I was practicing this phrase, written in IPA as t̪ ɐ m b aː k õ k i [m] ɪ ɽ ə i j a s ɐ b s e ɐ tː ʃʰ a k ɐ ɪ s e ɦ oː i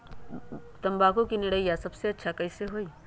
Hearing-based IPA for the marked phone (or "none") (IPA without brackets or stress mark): n